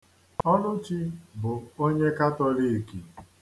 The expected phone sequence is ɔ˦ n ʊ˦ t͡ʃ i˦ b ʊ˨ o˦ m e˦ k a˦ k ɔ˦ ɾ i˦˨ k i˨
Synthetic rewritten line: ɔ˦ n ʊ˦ t͡ʃ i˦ b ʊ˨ o˦ ɲ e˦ k a˦ t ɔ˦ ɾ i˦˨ k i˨